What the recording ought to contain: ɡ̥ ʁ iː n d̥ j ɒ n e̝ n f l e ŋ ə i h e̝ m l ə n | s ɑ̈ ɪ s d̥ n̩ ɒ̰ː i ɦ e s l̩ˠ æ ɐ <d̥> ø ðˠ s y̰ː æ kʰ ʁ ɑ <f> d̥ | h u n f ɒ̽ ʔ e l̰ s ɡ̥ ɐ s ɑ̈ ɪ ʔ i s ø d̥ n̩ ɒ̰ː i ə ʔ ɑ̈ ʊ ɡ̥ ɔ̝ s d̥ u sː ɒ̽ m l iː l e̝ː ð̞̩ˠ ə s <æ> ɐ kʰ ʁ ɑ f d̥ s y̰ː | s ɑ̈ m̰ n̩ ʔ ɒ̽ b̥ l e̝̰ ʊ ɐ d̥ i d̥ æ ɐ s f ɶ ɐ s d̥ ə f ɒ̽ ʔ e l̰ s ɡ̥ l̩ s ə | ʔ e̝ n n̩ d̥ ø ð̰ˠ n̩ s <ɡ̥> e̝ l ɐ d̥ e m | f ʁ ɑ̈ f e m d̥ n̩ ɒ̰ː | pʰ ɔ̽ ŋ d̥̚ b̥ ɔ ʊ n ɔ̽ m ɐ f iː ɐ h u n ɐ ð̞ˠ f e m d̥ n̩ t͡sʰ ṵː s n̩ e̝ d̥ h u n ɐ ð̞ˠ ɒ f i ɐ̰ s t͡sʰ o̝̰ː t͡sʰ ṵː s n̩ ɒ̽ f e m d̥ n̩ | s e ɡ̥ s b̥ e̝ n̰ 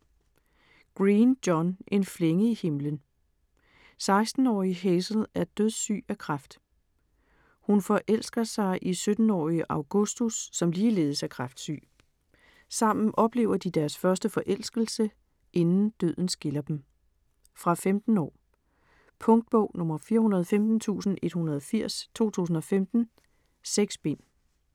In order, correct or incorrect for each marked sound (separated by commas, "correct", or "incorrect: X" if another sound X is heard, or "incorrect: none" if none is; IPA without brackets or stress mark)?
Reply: correct, correct, correct, correct